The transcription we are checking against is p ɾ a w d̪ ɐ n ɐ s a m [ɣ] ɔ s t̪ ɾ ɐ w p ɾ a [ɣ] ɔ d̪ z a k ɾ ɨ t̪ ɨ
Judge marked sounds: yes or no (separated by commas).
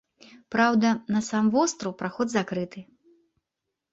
no, no